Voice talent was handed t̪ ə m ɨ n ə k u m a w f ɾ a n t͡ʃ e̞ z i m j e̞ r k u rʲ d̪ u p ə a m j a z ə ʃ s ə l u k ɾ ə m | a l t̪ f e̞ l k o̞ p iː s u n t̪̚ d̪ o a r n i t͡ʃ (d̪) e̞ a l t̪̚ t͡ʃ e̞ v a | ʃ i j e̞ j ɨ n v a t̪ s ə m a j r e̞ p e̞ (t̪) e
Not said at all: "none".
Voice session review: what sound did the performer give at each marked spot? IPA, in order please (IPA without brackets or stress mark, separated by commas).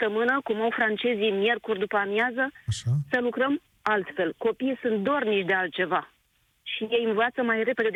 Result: d̪, d̪